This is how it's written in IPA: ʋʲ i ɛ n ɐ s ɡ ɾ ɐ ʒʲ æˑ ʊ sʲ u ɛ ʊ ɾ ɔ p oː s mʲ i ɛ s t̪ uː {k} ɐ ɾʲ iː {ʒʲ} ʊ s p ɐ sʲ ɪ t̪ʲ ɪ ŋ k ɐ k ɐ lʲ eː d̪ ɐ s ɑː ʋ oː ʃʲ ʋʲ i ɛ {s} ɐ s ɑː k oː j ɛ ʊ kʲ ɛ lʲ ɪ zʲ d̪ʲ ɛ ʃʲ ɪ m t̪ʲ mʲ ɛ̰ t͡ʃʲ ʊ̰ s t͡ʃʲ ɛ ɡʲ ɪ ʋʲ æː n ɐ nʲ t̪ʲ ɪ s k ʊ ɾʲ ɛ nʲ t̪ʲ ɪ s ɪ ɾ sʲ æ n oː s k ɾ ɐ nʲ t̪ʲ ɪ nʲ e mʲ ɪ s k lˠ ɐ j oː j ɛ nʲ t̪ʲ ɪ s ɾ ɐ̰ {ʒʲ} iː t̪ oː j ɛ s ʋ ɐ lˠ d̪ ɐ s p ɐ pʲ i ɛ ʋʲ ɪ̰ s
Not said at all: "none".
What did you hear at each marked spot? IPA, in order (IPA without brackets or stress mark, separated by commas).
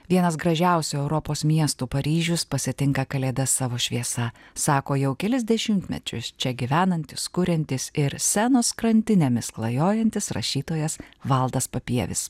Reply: p, ʒʲ, s, ʃʲ